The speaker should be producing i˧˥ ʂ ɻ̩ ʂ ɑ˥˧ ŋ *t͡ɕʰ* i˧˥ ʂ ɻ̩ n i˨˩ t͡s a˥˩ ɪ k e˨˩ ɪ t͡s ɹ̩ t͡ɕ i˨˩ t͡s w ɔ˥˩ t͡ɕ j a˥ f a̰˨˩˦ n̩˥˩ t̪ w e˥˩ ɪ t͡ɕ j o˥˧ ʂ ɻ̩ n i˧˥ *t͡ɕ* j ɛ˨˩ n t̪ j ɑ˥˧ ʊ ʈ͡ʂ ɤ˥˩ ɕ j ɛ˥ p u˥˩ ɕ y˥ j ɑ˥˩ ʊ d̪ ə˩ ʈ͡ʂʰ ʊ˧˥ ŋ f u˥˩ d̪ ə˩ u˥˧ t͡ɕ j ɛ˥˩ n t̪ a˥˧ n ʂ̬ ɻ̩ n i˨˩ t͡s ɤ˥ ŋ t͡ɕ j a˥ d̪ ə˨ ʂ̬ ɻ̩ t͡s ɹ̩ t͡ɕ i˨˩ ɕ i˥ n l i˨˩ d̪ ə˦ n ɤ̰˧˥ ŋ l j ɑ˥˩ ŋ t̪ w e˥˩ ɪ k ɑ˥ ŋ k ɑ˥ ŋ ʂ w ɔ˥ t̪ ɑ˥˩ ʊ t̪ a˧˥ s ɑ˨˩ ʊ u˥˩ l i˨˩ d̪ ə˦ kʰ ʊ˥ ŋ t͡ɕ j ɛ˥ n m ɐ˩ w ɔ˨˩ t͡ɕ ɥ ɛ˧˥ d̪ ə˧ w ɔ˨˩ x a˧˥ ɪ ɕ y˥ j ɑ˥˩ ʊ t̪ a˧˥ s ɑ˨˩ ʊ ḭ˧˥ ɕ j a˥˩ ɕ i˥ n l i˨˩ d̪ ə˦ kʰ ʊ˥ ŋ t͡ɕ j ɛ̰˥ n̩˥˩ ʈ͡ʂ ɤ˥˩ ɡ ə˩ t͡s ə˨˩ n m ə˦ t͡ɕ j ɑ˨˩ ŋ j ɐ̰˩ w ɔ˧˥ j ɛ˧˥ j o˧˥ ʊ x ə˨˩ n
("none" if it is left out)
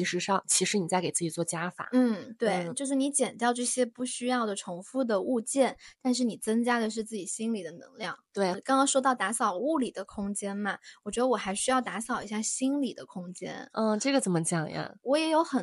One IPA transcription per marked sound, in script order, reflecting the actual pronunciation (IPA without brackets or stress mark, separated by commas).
t͡ɕʰ, t͡ɕ